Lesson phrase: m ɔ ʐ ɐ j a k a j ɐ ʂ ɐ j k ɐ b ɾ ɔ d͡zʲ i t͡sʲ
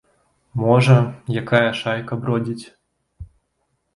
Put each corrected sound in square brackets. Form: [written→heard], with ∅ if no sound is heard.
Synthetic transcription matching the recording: m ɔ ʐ ɐ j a k a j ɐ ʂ [ɐ→a] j k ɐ b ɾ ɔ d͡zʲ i t͡sʲ